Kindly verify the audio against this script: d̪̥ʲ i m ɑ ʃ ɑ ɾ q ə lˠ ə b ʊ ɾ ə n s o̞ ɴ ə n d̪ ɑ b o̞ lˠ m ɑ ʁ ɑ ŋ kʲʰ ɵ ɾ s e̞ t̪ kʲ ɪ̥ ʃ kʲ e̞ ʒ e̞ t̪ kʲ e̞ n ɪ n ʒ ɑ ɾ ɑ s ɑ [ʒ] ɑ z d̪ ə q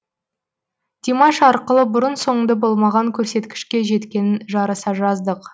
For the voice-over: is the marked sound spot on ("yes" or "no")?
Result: yes